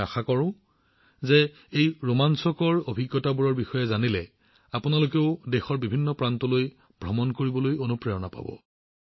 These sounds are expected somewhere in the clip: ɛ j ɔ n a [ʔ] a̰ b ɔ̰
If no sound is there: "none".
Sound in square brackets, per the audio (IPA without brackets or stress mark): p